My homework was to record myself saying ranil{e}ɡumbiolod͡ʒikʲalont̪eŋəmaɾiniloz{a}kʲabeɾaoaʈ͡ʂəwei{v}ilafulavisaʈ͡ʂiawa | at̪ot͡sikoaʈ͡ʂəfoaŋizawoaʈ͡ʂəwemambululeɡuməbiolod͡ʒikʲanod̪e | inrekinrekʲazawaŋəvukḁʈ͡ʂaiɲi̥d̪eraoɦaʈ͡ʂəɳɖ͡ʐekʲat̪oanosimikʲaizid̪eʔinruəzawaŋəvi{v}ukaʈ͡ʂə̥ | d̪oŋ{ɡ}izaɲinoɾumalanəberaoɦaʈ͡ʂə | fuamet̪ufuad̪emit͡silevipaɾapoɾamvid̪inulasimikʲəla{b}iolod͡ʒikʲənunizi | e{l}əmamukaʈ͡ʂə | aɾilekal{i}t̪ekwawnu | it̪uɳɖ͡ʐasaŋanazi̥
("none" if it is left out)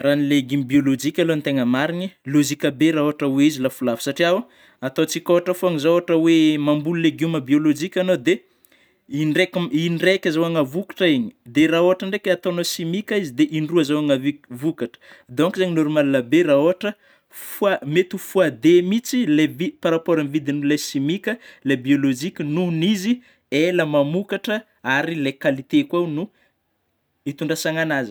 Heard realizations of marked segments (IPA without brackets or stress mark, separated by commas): e, i, z, v, k, b, l, i